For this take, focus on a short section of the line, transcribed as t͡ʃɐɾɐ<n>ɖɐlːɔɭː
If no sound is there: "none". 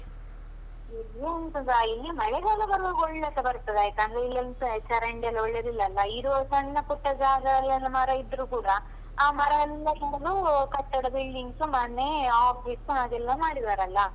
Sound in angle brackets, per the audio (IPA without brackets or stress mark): ɳ